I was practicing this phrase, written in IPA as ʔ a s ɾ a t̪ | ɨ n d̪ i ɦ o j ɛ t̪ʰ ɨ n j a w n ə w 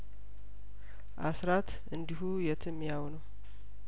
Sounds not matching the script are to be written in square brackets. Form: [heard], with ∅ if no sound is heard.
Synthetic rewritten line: ʔ a s ɾ a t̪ | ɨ n d̪ i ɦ [u] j ɛ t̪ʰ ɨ [m] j a w n ə w